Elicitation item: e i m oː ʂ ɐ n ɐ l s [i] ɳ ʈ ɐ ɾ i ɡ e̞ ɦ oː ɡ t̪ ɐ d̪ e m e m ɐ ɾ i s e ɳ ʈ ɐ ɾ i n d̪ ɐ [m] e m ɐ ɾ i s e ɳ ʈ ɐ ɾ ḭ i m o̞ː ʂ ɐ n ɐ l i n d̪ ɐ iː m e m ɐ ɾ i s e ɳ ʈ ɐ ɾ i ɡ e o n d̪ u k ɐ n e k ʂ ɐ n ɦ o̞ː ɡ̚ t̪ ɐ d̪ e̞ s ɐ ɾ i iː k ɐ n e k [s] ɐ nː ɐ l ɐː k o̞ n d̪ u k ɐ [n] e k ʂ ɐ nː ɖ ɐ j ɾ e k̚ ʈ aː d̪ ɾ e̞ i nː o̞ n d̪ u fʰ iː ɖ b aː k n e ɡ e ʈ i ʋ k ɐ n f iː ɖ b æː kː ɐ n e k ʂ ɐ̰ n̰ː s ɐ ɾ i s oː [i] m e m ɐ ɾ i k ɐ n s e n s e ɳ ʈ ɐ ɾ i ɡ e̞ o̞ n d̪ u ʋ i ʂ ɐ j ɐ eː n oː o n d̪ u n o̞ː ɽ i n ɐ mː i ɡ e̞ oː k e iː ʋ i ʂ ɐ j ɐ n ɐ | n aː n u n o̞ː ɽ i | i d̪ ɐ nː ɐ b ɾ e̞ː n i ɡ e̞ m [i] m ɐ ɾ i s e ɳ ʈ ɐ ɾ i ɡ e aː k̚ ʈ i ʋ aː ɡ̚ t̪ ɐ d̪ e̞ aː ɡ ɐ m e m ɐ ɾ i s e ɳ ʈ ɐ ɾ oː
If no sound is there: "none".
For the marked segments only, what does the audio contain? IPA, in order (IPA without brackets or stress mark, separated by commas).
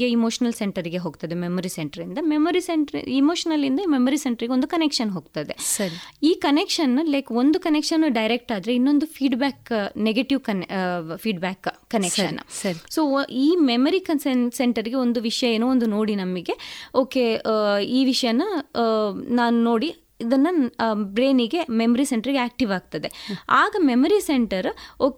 e, m, ʂ, n, iː, e